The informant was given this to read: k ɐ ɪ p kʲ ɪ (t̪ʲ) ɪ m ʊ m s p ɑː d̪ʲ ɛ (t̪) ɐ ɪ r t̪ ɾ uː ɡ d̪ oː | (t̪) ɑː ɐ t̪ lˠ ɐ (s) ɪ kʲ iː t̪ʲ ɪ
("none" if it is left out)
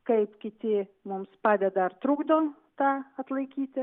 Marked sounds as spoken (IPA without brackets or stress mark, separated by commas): t̪ʲ, d̪, t̪, none